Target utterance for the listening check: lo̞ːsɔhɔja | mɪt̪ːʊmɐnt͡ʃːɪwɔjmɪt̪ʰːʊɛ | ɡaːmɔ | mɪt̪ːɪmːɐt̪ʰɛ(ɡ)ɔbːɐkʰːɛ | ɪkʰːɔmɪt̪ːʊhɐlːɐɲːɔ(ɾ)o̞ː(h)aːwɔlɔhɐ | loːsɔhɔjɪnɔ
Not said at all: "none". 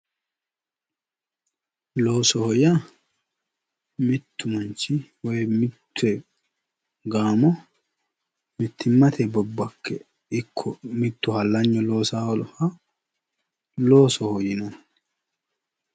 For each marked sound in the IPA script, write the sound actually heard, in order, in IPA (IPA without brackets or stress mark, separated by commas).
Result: b, l, s